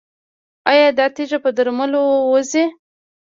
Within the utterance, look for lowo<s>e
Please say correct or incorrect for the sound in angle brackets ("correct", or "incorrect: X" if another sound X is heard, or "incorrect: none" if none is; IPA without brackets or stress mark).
incorrect: z